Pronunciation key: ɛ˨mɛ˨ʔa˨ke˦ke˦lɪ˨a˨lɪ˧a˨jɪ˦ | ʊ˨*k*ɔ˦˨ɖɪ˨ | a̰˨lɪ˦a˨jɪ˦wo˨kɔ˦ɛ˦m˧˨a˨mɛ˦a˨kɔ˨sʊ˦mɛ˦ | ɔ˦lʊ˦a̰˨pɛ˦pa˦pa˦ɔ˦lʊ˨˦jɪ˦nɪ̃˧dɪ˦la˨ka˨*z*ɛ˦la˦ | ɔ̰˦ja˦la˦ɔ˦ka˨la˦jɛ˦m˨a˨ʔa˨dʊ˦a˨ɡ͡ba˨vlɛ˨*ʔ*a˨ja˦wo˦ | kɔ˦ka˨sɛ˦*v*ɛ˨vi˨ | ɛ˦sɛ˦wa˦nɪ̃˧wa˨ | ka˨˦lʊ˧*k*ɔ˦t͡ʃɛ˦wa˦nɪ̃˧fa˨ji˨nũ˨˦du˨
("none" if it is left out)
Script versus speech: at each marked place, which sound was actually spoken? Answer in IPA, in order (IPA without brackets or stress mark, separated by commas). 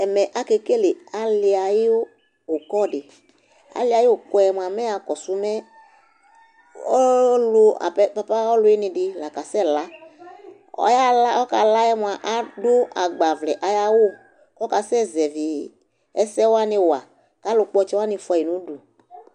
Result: k, s, ʔ, z, k͡p